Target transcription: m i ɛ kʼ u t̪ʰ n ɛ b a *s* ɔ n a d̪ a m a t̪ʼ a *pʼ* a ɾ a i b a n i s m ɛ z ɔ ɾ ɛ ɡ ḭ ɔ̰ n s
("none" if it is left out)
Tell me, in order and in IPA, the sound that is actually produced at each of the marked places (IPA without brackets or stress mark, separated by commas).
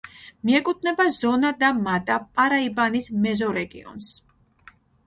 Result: z, pʼ